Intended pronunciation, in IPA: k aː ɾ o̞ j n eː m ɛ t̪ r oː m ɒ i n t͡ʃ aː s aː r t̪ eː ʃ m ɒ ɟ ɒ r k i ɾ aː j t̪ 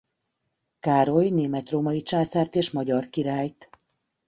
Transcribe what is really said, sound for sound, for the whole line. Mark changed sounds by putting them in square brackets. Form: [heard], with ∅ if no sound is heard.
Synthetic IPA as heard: k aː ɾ o̞ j n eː m ɛ t̪ r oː m ɒ i [∅] t͡ʃ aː s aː r t̪ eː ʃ m ɒ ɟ ɒ r k i ɾ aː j t̪